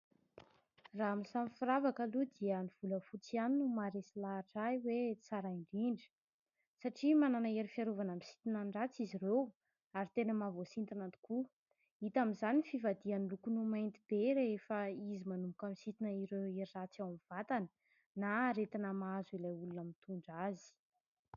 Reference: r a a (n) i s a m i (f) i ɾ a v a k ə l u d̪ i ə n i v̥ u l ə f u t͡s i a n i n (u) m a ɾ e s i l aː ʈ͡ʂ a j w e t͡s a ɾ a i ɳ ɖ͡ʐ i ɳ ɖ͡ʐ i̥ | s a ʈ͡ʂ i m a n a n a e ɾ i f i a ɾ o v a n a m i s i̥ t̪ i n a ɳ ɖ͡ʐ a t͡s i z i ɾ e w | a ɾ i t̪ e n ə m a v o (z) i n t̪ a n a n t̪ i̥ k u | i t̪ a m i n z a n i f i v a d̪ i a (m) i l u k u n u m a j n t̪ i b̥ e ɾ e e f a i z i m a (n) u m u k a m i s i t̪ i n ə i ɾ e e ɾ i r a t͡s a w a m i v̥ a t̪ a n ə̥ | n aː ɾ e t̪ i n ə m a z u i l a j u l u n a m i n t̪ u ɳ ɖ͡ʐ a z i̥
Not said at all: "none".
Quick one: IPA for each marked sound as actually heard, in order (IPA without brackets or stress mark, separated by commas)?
m, f, u, s, n, n